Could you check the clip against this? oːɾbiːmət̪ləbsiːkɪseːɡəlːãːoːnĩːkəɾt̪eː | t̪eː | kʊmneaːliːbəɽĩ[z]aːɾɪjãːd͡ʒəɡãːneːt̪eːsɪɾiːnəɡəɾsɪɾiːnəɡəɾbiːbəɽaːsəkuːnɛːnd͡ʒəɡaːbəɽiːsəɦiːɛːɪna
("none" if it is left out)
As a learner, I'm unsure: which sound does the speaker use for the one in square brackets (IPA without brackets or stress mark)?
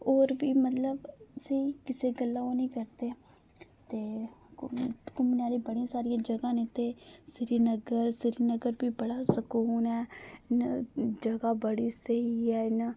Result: s